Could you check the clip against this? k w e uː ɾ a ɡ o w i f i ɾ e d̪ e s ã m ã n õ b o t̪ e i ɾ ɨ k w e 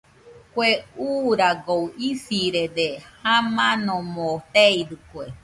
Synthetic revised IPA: k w e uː ɾ a ɡ o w i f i ɾ e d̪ e h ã m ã n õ m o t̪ e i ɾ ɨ k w e